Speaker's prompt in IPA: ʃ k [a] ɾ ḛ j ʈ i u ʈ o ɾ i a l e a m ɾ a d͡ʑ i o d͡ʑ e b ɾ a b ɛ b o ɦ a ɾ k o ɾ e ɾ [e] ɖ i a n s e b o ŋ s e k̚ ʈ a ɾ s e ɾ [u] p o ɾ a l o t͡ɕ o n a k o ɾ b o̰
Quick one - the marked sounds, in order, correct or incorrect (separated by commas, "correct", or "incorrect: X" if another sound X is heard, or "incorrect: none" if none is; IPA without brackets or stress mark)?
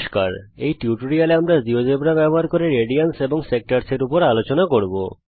correct, correct, correct